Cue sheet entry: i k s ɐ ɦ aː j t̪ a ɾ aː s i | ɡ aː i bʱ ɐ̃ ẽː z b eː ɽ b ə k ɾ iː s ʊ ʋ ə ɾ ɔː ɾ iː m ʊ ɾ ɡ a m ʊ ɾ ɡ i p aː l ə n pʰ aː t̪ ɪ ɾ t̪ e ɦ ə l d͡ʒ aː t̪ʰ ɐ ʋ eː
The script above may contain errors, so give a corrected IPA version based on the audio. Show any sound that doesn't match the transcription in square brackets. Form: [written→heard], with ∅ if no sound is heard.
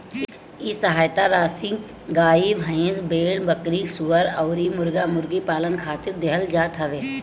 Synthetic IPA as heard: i [k→∅] s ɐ ɦ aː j t̪ a ɾ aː s i | ɡ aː i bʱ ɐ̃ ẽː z b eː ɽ b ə k ɾ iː s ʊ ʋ ə ɾ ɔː ɾ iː m ʊ ɾ ɡ a m ʊ ɾ ɡ i p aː l ə n [pʰ→kʰ] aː t̪ ɪ ɾ [t̪→d̪] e ɦ ə l d͡ʒ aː t̪ʰ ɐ ʋ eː